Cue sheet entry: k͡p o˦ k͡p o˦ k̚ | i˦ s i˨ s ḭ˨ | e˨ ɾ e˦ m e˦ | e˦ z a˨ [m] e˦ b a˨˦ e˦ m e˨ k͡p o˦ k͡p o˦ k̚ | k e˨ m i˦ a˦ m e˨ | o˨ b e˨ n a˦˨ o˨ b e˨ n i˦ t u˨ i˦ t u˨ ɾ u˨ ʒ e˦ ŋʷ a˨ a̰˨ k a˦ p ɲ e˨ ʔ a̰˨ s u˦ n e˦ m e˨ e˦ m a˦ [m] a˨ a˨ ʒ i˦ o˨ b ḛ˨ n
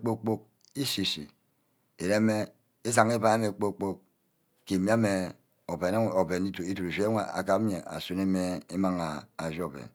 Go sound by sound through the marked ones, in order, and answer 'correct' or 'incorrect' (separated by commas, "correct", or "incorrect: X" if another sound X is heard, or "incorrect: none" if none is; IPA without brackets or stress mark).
incorrect: ŋ, incorrect: ŋ